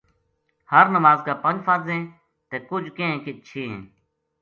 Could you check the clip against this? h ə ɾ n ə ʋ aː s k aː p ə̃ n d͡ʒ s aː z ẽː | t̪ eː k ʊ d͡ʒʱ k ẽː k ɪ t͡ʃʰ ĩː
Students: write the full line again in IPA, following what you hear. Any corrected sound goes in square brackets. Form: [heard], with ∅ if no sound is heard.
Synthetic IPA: h ə ɾ n ə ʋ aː [z] k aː p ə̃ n d͡ʒ [f] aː z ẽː | t̪ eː k ʊ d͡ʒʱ k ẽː k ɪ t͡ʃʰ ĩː